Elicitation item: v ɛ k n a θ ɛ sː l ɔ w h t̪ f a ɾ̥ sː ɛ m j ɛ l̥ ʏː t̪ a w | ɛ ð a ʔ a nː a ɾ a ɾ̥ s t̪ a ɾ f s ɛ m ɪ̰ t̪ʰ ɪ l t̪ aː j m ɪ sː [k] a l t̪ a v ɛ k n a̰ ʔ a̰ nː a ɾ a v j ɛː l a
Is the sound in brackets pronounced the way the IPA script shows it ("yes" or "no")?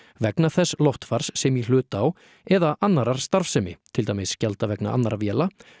no